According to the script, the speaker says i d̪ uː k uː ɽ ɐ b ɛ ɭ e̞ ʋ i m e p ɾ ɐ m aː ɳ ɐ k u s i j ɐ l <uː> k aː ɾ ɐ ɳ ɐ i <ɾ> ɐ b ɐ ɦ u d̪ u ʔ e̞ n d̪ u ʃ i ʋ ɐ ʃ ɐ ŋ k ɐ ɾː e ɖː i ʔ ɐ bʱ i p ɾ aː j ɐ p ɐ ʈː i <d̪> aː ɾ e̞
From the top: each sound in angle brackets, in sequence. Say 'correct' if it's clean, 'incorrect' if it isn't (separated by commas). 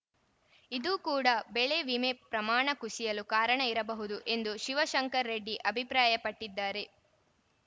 incorrect, correct, incorrect